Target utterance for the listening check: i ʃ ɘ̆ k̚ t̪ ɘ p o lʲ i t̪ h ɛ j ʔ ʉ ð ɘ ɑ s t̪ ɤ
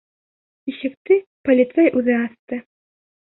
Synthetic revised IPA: i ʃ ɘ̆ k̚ t̪ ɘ p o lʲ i t̪ s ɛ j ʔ ʉ ð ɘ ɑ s t̪ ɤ